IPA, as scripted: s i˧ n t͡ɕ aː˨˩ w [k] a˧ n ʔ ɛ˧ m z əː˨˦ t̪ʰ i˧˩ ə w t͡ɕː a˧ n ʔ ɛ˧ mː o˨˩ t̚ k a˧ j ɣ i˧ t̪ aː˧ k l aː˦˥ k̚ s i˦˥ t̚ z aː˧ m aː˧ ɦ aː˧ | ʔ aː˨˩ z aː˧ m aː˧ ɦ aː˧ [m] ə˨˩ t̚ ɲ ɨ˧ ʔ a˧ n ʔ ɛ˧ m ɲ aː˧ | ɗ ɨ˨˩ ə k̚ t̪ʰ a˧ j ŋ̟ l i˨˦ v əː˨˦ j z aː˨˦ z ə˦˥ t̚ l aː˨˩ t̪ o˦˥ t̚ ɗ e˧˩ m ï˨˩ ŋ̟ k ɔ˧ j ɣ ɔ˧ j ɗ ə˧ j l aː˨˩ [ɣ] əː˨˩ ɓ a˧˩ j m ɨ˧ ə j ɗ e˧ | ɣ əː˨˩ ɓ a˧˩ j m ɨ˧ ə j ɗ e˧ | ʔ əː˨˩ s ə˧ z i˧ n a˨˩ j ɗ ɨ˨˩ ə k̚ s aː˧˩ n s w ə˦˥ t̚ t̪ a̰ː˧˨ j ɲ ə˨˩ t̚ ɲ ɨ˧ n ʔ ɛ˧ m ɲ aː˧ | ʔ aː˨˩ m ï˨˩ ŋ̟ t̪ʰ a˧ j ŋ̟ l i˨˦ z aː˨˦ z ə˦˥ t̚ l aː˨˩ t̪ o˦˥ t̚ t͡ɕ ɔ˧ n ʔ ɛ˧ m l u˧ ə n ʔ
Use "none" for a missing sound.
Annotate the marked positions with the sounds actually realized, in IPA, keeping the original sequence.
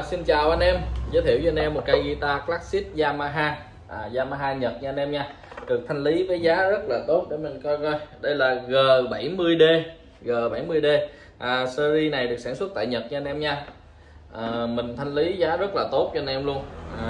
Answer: ʔ, ɲ, ɣ

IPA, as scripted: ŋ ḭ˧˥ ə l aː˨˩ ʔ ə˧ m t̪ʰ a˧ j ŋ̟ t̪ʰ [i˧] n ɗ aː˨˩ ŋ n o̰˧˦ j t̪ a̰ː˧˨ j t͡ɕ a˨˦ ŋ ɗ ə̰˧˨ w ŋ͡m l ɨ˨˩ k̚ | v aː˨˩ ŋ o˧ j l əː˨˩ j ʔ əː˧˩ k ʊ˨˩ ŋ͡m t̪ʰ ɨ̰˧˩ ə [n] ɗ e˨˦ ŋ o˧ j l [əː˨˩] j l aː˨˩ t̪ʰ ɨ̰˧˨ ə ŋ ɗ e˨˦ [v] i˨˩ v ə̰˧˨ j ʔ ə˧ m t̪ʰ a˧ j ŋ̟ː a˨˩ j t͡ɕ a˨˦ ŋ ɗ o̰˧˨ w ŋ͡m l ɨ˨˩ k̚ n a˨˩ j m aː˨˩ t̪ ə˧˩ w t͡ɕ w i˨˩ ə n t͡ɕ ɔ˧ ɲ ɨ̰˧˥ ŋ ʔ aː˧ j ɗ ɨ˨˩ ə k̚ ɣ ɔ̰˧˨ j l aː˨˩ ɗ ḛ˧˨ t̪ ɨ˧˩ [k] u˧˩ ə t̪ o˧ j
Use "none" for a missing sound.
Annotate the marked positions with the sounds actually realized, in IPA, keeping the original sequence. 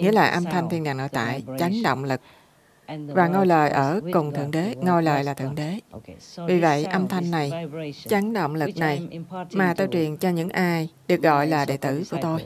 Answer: i˧, ŋ, əː˨˩, v, k

